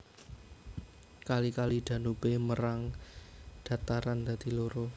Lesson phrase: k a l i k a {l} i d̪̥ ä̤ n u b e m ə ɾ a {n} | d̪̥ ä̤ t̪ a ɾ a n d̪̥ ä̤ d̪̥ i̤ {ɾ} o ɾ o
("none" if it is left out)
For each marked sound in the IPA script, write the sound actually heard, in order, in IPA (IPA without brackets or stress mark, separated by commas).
l, ŋ, l